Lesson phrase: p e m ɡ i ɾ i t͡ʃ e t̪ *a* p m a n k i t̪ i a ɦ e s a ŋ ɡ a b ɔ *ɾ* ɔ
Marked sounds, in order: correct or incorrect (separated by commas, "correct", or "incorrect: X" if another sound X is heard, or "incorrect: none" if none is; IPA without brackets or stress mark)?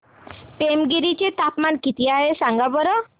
correct, correct